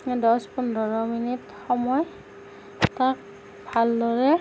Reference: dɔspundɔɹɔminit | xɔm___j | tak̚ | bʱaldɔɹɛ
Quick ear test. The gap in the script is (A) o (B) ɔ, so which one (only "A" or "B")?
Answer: B